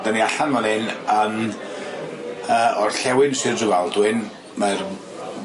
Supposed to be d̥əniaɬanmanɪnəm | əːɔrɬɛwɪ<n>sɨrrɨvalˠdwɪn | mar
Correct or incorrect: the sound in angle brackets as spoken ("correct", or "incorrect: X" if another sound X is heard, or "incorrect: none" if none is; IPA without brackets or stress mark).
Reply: correct